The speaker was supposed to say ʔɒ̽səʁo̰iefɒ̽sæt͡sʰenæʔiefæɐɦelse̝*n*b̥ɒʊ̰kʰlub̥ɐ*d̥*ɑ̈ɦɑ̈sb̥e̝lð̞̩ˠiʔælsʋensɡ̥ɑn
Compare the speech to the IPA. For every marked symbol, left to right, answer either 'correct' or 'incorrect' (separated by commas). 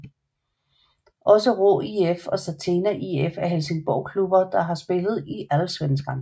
incorrect, correct